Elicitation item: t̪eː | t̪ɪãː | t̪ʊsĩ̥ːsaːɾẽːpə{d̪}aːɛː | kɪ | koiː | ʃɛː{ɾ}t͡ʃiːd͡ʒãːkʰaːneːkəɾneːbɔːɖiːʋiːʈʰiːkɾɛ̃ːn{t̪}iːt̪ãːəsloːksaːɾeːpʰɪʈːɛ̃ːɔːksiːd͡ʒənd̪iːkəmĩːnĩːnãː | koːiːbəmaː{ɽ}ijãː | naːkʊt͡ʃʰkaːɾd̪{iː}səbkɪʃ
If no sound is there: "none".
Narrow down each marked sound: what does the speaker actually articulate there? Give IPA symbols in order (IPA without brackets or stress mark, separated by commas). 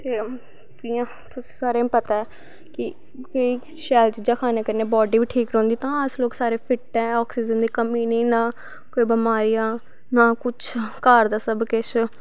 t̪, l, d̪, ɾ, aː